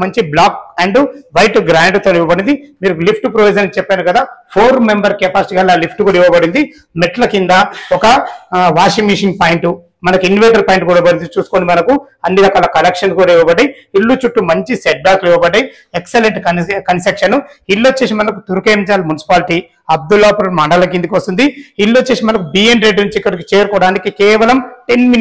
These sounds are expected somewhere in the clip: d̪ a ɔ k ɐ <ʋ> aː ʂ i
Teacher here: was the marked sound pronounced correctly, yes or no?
yes